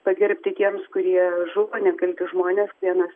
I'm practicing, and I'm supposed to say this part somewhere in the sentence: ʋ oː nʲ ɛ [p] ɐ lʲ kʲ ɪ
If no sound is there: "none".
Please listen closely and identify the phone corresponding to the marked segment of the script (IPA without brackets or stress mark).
k